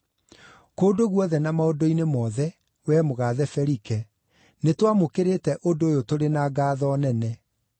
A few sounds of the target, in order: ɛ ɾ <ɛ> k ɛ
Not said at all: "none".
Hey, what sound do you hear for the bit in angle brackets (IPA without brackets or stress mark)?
i